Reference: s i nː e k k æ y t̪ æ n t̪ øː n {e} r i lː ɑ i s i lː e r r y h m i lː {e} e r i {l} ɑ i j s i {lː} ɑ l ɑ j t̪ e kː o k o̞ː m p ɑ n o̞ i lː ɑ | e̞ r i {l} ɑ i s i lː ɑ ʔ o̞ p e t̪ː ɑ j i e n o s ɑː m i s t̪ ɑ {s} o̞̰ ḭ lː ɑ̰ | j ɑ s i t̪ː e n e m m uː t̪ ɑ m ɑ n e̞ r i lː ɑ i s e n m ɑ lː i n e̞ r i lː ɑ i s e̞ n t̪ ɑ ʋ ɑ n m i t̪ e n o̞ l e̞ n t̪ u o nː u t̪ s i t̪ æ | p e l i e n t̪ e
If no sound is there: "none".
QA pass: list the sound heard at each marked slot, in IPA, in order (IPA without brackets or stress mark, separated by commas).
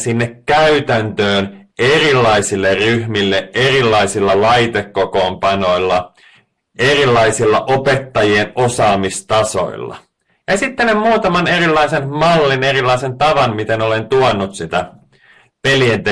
e, e, lː, lː, lː, s